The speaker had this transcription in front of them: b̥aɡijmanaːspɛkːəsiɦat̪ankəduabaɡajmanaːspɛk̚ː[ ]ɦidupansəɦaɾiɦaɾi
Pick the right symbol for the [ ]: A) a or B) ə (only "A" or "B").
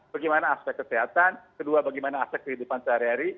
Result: B